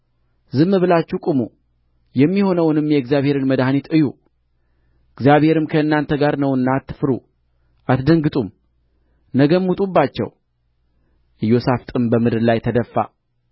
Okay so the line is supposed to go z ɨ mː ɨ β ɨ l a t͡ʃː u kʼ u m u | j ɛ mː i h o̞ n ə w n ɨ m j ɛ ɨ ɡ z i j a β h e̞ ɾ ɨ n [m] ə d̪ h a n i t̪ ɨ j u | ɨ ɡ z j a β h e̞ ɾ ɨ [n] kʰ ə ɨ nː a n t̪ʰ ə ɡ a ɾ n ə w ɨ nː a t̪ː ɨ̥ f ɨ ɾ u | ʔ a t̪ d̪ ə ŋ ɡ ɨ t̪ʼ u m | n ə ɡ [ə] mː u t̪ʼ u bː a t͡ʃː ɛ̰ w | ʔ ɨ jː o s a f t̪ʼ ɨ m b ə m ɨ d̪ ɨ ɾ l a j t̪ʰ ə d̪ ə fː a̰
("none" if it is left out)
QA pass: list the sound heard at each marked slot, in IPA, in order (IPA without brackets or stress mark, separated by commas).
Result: m, m, ə